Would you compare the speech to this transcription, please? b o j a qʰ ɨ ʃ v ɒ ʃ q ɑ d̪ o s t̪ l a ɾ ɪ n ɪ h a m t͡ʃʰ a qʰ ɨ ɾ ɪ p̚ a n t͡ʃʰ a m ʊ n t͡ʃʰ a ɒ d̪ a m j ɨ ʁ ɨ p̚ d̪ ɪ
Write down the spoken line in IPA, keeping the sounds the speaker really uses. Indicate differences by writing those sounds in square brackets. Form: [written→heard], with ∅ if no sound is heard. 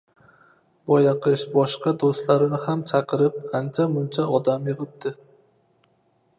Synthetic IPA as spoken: b [o→ɒ] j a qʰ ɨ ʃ [v→b] ɒ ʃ q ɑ d̪ o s t̪ l a ɾ ɪ n ɪ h a m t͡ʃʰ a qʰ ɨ ɾ ɪ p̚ a n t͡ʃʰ a m ʊ n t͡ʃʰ a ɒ d̪ a m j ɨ ʁ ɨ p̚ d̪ ɪ